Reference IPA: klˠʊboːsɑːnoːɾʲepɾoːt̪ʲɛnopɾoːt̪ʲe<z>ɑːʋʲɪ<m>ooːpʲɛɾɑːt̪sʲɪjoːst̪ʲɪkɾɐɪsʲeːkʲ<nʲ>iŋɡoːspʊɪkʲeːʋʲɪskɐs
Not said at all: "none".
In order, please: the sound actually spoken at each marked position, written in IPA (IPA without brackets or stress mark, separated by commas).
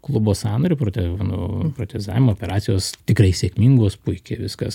z, m, mʲ